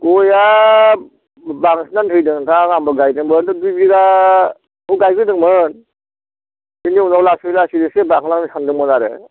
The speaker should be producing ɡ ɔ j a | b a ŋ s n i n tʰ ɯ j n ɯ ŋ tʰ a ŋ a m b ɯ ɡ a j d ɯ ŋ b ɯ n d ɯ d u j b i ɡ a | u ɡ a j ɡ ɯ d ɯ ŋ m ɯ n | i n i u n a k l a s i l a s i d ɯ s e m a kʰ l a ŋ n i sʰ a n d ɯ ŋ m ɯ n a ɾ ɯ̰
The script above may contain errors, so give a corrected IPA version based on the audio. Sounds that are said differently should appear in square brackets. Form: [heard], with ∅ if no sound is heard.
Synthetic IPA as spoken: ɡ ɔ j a | b a ŋ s n [a] n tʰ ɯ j [d] ɯ ŋ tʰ a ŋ a m b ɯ ɡ a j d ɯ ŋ b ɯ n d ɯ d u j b i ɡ a | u ɡ a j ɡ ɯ d ɯ ŋ m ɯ n | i n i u n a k l a s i l a s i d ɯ s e [b] a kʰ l a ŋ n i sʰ a n d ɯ ŋ m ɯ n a ɾ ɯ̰